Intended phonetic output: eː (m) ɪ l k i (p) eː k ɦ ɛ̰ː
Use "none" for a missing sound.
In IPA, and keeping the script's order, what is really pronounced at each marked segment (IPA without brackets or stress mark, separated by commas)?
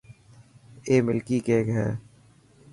m, k